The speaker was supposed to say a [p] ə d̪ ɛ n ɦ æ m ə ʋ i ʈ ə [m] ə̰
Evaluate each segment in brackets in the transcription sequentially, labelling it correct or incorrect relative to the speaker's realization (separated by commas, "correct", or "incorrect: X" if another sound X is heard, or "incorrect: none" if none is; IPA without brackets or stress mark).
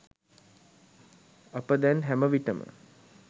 correct, correct